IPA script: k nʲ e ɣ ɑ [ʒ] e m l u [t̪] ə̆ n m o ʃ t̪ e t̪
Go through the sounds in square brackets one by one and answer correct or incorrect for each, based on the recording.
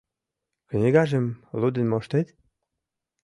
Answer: correct, incorrect: d̪

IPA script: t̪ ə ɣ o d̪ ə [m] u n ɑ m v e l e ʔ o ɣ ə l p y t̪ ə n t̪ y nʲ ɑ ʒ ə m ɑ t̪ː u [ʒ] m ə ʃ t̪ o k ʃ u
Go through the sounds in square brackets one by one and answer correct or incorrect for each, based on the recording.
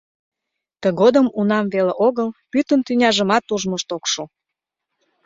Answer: correct, correct

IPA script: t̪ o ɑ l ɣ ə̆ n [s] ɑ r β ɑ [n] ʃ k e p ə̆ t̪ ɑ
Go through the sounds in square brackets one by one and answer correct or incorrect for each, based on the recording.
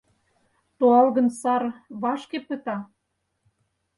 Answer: correct, incorrect: none

